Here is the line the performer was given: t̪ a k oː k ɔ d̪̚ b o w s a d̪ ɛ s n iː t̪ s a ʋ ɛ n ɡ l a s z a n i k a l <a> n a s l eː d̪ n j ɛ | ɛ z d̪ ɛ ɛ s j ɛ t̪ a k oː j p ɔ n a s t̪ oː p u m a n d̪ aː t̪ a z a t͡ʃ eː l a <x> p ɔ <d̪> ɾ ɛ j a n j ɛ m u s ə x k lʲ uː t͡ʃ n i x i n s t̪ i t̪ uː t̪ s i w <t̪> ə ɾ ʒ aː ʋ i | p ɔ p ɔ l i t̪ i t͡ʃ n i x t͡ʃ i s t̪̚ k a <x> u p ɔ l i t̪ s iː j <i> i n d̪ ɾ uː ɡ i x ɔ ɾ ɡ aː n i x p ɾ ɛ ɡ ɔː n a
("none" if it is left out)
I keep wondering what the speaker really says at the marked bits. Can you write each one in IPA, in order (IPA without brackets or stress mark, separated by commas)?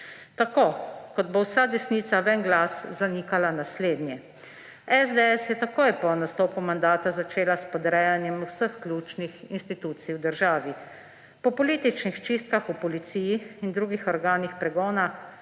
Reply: a, s, d̪, d̪, x, i